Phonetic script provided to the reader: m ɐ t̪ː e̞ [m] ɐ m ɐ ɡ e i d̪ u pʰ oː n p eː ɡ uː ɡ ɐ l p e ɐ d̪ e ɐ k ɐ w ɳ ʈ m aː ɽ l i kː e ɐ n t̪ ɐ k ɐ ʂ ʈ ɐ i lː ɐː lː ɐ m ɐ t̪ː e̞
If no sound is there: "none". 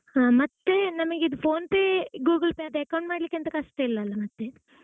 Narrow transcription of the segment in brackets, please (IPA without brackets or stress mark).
n